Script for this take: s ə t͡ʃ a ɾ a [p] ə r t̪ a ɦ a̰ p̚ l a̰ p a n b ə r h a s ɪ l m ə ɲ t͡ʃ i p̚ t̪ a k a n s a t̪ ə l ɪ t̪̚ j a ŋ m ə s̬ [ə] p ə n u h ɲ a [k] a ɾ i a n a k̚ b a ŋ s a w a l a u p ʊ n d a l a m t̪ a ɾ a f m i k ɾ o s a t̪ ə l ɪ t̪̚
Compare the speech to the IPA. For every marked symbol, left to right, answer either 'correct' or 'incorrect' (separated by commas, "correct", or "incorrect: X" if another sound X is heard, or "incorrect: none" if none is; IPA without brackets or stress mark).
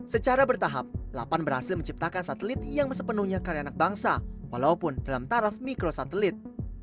incorrect: b, correct, correct